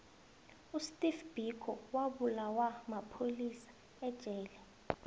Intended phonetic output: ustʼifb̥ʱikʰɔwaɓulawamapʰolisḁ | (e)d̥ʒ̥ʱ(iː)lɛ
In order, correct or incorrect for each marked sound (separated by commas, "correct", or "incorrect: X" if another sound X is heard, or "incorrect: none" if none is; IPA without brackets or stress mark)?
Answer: incorrect: ɛ, incorrect: ɛː